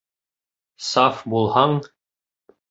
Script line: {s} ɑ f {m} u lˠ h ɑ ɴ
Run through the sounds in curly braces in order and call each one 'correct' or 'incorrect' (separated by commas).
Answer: correct, incorrect